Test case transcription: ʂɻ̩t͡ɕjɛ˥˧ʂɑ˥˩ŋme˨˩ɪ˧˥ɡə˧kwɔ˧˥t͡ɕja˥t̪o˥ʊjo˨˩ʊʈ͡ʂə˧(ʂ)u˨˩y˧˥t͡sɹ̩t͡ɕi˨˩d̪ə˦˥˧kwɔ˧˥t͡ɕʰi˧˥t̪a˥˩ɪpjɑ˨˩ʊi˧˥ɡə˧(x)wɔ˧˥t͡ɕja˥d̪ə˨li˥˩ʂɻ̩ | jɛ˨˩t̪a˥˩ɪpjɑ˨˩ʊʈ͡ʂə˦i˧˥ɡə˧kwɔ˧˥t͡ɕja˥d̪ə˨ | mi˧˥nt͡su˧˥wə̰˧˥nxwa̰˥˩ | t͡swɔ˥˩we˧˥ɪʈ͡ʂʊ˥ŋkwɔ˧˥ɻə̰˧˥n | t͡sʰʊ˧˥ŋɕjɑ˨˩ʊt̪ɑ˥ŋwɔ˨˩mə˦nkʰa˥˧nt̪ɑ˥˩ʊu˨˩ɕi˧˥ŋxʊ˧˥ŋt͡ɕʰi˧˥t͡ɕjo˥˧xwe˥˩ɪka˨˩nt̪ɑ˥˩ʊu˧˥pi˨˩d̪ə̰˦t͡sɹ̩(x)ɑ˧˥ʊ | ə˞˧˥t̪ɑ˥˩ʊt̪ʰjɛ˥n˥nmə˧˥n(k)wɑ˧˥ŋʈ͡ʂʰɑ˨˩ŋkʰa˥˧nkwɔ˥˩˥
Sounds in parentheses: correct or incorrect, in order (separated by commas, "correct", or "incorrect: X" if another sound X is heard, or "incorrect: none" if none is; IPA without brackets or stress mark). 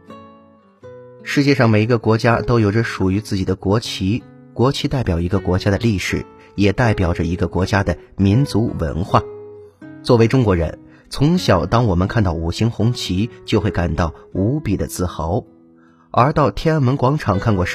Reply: correct, incorrect: k, correct, correct